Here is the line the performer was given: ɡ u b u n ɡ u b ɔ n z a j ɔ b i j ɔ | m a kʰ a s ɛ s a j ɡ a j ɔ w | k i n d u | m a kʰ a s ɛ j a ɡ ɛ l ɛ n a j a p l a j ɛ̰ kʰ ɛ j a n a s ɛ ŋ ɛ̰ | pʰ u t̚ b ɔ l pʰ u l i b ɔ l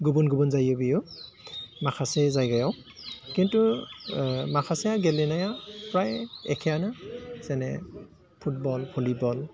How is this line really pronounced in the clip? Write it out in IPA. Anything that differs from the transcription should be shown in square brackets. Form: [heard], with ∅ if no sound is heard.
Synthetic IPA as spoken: ɡ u b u n ɡ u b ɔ n z a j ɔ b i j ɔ | m a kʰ a s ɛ [z] a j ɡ a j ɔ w | k i n [t] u | m a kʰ a s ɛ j a ɡ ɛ l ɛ n a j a p [ɹ] a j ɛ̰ kʰ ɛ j a n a s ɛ [n] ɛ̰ | pʰ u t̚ b ɔ l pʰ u l i b ɔ l